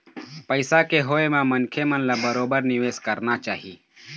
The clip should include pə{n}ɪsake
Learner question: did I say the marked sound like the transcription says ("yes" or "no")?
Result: no